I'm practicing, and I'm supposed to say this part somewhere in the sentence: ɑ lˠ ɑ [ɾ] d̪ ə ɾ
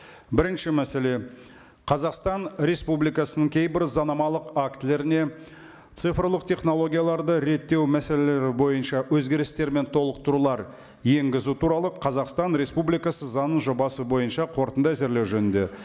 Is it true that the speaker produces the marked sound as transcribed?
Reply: yes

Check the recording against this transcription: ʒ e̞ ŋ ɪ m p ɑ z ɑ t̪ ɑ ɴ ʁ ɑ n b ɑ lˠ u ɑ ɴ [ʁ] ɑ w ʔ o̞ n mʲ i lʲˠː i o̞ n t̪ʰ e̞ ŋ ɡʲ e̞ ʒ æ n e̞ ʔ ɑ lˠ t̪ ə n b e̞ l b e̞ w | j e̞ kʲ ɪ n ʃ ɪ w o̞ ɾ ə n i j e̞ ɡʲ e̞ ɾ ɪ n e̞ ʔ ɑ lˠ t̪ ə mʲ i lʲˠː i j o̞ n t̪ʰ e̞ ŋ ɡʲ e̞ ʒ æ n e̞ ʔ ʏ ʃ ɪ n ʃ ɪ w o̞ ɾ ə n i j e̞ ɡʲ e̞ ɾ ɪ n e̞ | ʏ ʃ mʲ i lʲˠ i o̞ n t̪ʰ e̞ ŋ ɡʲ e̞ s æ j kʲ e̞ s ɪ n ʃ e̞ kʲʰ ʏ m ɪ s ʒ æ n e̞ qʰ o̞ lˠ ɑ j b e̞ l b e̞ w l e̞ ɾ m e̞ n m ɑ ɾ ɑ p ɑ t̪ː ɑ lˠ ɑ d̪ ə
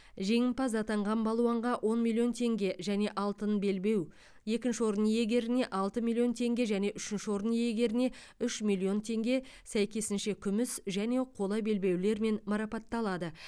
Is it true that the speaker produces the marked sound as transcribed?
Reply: yes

